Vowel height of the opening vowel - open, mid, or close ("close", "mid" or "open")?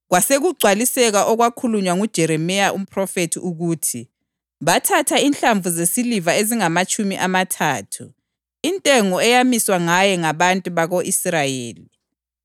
open